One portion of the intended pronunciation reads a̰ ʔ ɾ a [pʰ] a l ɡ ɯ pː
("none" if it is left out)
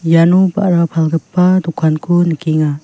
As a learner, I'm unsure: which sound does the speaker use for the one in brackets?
pʰ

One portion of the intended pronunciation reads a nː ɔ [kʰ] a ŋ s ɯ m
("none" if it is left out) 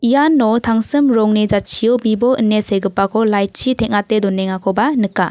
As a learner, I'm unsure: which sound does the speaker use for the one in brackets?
tʰ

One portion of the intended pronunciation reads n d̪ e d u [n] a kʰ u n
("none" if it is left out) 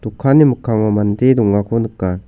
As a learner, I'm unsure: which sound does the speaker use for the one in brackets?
ŋ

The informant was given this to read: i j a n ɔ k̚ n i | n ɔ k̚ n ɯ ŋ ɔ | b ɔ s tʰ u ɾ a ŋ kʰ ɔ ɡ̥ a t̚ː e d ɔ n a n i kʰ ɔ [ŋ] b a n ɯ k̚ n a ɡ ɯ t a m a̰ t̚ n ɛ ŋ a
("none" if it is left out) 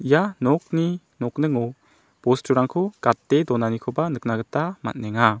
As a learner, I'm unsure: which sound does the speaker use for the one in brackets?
none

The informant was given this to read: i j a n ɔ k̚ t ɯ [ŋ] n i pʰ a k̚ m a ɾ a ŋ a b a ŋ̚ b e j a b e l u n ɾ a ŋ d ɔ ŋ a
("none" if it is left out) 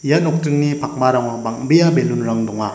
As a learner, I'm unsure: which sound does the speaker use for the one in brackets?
ŋ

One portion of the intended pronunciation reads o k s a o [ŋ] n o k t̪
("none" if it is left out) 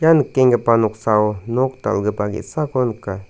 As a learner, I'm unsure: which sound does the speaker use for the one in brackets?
none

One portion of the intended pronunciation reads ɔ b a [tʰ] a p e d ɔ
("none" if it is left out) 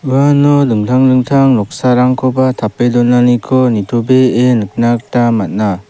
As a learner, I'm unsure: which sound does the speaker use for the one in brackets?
tʰ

